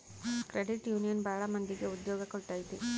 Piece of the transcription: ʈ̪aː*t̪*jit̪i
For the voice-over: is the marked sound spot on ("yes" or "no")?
no